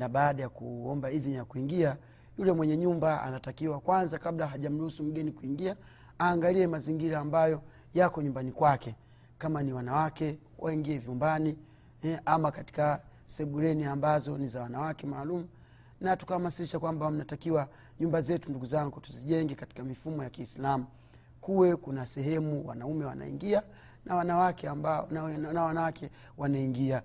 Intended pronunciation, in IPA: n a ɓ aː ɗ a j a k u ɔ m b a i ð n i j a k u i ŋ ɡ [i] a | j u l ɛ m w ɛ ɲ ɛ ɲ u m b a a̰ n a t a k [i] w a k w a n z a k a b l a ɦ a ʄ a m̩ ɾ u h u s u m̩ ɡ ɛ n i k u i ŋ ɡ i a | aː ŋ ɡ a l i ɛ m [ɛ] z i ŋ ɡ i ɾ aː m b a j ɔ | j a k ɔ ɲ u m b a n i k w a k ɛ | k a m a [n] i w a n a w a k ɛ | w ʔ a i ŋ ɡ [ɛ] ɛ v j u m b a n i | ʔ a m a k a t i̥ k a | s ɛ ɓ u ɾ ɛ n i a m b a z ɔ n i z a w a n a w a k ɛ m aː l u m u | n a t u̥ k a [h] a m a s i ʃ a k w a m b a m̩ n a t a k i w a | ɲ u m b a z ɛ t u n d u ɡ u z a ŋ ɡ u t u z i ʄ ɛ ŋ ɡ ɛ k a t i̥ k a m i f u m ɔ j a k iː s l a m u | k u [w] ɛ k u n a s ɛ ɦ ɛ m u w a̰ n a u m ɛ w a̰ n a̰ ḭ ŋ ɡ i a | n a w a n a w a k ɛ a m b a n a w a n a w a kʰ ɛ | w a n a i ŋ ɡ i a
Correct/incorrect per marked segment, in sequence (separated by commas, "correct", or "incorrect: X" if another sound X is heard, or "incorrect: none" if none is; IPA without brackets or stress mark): correct, correct, incorrect: a, correct, incorrect: i, correct, correct